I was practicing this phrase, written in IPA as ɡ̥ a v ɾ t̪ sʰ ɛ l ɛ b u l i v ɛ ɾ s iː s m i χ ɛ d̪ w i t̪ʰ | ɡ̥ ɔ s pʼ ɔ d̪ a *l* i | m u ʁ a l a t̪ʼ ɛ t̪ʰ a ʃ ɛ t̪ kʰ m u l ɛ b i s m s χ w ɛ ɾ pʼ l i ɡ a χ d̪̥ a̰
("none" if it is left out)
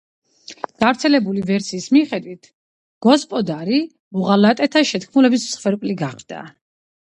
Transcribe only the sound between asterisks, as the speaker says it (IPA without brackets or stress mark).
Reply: ɾ